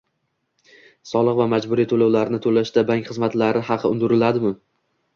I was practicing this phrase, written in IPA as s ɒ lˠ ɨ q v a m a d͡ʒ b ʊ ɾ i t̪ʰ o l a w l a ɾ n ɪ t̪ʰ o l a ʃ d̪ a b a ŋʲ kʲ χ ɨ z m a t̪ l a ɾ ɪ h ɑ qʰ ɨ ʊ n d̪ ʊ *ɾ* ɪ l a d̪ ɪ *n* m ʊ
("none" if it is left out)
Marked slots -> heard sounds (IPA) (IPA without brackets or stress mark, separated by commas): ɾ, none